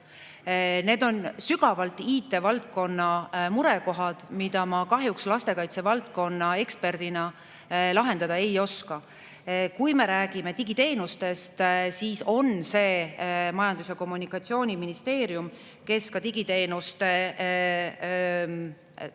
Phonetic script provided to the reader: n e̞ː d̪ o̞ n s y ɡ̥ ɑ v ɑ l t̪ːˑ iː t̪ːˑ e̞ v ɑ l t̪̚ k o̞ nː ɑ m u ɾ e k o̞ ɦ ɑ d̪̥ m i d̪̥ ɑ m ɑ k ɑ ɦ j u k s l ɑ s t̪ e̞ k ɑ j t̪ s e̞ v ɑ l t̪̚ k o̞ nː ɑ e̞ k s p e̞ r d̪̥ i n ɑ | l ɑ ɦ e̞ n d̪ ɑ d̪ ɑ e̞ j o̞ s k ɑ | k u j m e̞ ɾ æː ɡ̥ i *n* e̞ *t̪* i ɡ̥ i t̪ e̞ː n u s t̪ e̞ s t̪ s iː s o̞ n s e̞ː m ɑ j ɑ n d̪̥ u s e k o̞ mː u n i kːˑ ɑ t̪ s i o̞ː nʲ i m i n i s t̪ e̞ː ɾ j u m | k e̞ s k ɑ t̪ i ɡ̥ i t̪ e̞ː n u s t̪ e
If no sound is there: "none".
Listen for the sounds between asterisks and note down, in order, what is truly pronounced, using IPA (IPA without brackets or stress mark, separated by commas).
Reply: m, t̪